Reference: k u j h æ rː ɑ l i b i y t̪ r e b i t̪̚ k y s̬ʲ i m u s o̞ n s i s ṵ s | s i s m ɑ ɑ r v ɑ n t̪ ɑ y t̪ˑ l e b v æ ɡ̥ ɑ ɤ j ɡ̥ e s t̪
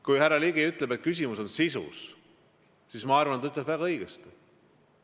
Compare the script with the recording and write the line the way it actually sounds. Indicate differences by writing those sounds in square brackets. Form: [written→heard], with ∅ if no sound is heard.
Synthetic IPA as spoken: k u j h æ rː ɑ l i [b→ɡ] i y t̪ [r→l] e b [i→e] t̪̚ k y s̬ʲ i m u s o̞ n s i s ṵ s | s i s m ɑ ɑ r v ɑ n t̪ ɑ y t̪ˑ l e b v æ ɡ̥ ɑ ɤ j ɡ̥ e s t̪